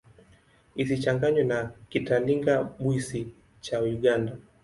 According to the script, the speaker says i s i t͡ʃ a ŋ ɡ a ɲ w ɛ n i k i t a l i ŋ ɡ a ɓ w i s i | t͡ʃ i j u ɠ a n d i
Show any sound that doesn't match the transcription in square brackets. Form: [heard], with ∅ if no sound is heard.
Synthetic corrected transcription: i s i t͡ʃ a ŋ ɡ a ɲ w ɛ n [a] k i t a l i ŋ ɡ a ɓ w i s i | t͡ʃ [a] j u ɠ a n d [a]

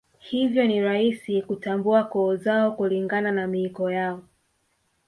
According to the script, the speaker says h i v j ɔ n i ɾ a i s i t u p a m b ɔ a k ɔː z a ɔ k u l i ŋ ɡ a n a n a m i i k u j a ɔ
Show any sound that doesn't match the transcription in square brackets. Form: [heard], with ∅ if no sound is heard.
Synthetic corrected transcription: h i v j ɔ n i ɾ a i s i [k] u [t] a m b [u] a k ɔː z a ɔ k u l i ŋ ɡ a n a n a m i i k [ɔ] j a ɔ

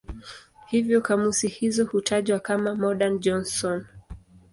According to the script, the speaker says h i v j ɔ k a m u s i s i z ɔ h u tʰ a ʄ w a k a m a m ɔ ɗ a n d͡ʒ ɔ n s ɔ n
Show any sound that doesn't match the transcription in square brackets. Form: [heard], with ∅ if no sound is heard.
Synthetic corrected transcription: h i v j ɔ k a m u s i [h] i z ɔ h u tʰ a ʄ w a k a m a m ɔ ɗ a n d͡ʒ ɔ n s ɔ n

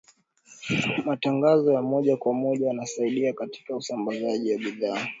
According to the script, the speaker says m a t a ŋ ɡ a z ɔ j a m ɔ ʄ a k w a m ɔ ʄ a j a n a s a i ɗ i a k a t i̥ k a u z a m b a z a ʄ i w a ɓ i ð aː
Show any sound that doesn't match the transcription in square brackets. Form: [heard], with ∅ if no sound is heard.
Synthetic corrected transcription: m a t a ŋ ɡ a z ɔ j a m ɔ ʄ a k w a m ɔ ʄ a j a n a s a i ɗ i a k a t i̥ k a u [s] a m b a z a ʄ i w a ɓ i ð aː

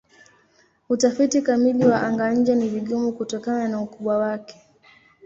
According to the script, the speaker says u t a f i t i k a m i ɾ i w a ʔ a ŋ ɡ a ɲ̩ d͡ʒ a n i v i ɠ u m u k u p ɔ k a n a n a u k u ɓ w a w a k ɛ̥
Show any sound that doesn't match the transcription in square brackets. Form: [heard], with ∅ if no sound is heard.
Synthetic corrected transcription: u t a f i t i k a m i [l] i w a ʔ a ŋ ɡ a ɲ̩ d͡ʒ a n i v i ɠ u m u k u [t] ɔ k a n a n a u k u ɓ w a w a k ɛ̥

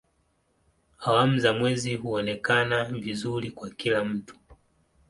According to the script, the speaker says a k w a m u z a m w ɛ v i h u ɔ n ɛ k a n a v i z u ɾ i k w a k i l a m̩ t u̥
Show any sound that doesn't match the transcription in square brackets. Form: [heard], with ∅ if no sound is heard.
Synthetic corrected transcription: a [∅] w a m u z a m w ɛ [z] i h u ɔ n ɛ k a n a v i z u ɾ i k w a k i l a m̩ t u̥

